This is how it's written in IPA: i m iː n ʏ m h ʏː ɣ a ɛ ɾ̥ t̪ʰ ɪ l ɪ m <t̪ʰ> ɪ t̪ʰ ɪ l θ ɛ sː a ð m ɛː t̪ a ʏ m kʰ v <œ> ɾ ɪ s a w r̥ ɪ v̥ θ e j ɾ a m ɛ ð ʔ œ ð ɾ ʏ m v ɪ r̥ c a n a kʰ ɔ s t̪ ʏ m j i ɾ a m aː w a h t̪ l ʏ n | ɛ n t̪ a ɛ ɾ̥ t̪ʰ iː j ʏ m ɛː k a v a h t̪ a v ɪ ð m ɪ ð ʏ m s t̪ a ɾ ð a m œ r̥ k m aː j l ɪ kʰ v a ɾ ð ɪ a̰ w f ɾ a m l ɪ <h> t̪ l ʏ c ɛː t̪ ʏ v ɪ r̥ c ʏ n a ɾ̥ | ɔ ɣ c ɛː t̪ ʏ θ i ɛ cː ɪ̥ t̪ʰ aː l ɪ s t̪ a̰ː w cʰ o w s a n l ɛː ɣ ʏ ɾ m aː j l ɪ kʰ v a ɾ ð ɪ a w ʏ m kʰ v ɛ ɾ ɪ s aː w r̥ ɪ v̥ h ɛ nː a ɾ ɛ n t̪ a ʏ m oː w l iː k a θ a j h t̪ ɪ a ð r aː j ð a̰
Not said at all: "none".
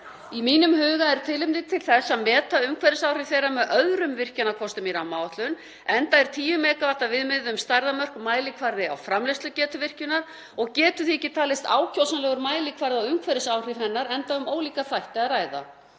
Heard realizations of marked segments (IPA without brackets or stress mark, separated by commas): t̪, ɛ, s